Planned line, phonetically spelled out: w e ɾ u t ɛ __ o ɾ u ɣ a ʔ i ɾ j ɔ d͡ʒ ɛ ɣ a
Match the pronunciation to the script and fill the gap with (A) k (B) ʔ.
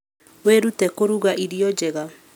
A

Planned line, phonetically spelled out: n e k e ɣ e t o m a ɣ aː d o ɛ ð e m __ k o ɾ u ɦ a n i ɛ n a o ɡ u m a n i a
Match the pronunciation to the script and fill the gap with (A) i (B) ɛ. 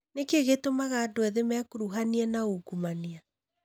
B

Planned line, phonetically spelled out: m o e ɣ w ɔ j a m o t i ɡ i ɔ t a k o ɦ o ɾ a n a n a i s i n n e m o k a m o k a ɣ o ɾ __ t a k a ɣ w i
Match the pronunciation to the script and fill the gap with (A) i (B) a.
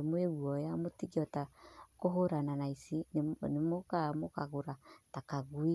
B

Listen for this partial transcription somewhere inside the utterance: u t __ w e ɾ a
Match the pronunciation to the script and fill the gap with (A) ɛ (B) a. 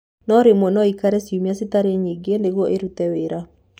A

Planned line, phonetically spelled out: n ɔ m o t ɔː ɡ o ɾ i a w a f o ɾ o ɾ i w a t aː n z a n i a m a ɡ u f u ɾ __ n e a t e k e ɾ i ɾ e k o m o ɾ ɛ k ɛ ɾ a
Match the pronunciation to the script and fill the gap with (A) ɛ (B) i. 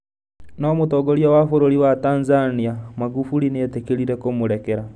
B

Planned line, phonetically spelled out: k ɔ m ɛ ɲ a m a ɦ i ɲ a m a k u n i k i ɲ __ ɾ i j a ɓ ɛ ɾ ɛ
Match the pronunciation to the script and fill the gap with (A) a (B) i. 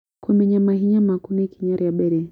A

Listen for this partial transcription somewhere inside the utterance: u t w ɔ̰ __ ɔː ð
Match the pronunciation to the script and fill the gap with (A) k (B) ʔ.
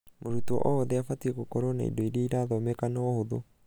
B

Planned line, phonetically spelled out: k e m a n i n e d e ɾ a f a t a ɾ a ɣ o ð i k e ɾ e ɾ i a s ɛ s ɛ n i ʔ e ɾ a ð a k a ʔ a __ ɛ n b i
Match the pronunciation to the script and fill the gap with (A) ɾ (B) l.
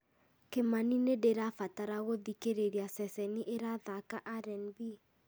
A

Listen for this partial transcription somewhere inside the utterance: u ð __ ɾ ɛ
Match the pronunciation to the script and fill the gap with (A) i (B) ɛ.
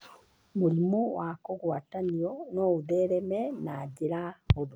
B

